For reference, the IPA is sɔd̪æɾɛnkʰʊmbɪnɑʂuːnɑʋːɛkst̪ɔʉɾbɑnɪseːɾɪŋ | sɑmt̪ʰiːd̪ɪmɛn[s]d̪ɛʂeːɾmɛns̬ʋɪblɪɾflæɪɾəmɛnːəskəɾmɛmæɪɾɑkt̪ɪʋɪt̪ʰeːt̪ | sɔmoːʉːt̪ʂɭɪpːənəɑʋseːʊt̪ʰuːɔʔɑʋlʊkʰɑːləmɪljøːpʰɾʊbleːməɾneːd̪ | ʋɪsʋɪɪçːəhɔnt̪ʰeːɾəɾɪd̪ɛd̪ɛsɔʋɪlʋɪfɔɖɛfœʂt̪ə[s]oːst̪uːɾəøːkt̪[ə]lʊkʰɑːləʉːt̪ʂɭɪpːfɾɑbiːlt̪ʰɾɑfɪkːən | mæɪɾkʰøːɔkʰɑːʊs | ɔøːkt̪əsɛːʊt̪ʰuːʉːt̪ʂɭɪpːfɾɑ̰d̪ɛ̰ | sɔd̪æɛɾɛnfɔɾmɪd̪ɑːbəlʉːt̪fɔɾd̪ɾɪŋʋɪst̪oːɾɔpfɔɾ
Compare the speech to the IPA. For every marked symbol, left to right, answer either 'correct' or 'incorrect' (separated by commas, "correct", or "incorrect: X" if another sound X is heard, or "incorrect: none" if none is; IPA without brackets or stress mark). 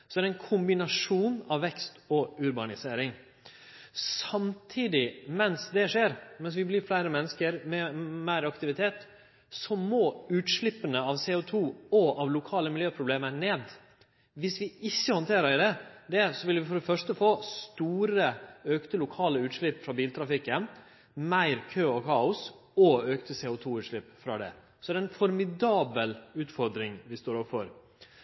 correct, incorrect: f, correct